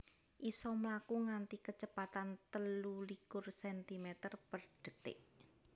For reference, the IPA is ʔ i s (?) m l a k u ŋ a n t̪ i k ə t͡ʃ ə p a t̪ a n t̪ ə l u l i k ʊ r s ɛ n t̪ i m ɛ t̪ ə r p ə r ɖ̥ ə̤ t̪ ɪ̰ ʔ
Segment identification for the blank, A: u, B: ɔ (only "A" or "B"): B